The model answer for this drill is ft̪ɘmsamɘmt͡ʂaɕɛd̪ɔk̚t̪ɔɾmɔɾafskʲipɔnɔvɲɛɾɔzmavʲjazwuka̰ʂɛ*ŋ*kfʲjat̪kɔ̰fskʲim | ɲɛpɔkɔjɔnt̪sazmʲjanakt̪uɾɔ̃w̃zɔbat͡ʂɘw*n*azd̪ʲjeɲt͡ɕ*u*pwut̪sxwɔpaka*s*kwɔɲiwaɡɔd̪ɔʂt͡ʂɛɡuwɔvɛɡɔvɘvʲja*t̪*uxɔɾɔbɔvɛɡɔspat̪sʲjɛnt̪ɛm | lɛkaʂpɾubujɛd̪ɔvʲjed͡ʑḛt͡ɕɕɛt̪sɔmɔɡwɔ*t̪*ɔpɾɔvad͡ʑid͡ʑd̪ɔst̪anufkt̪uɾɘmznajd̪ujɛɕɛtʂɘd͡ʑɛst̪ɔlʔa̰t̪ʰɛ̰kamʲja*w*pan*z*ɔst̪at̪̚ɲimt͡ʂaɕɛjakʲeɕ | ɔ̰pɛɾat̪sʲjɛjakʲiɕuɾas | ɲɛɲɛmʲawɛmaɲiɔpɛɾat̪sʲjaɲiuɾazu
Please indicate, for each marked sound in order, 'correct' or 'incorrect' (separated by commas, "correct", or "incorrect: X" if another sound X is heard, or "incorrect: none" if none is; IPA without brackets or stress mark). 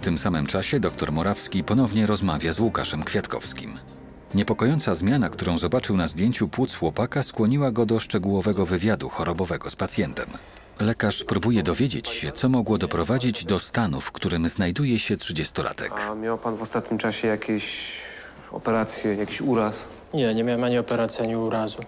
incorrect: m, correct, correct, correct, incorrect: d̪, incorrect: d̪, correct, incorrect: v